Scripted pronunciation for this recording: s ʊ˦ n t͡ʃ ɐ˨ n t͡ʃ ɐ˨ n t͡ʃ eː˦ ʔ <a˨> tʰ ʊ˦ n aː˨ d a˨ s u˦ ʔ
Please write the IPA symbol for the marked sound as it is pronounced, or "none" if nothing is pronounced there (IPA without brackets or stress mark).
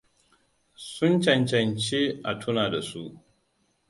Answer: a˨